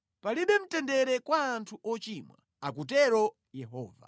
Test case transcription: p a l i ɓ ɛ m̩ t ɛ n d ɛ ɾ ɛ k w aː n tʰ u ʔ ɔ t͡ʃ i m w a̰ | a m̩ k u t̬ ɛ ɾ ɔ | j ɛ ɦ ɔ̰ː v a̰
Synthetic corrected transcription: p a l i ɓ ɛ m̩ t ɛ n d ɛ ɾ ɛ k w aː n tʰ u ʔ ɔ t͡ʃ i m w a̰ | a k u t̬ ɛ ɾ ɔ | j ɛ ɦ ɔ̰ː v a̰

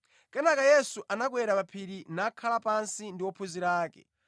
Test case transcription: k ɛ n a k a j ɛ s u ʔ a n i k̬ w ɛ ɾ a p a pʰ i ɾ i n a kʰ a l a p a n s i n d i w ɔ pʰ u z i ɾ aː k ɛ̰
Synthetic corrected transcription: k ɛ n a k a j ɛ s u ʔ a n a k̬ w ɛ ɾ a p a pʰ i ɾ i n a kʰ a l a p a n s i n d i w ɔ pʰ u z i ɾ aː k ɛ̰

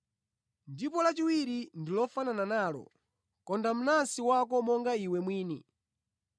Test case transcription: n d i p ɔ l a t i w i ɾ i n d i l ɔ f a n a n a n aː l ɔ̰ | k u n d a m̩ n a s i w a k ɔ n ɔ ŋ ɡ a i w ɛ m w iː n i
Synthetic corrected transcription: n d i p ɔ l a t͡ʃ i w i ɾ i n d i l ɔ f a n a n a n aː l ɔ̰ | k ɔ n d a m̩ n a s i w a k ɔ m ɔ ŋ ɡ a i w ɛ m w iː n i

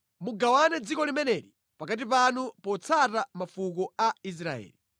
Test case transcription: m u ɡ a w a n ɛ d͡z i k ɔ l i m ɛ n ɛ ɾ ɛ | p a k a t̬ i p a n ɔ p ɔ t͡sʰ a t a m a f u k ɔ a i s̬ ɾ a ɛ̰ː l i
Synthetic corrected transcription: m u ɡ a w a n ɛ d͡z i k ɔ l i m ɛ n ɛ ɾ i | p a k a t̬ i p a n u p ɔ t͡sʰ a t a m a f u k ɔ a i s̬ ɾ a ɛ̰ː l i

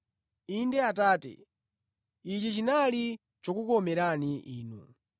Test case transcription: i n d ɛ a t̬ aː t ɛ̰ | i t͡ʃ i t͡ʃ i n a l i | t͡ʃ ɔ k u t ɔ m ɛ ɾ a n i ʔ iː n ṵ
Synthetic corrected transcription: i n d ɛ a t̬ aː t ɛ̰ | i t͡ʃ i t͡ʃ i n a l i | t͡ʃ ɔ k u k ɔ m ɛ ɾ a n i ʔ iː n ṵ

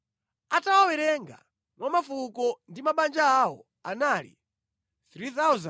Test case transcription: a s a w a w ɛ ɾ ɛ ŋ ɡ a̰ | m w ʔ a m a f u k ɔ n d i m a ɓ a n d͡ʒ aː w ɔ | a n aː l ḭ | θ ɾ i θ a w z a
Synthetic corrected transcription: a t a w a w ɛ ɾ ɛ ŋ ɡ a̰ | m w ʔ a m a f u k ɔ n d i m a ɓ a n d͡ʒ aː w ɔ | a n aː l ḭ | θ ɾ i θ a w z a

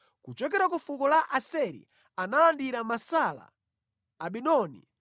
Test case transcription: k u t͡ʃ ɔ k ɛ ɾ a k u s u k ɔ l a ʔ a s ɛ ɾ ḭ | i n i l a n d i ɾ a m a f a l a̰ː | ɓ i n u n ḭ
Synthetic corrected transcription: k u t͡ʃ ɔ k ɛ ɾ a k u f u k ɔ l a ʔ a s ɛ ɾ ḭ | a n a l a n d i ɾ a m a s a l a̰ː | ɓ i n ɔ n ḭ

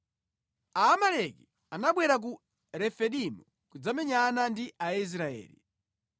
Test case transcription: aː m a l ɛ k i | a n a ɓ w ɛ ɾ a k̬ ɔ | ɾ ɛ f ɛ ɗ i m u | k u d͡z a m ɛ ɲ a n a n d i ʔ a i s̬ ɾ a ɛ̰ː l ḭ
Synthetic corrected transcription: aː m a l ɛ k i | a n a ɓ w ɛ ɾ a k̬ u | ɾ ɛ f ɛ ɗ i m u | k u d͡z a m ɛ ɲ a n a n d i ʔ a i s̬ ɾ a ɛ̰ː l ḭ

